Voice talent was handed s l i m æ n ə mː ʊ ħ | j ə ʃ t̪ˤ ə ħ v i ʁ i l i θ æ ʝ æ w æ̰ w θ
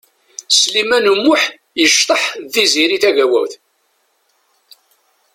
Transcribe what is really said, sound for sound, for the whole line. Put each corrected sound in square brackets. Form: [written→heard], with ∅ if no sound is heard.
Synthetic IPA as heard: s l i m æ n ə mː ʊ ħ | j ə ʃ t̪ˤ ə ħ [v→ð] i [ʁ→z] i [l→ɾ] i θ æ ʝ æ w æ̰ w θ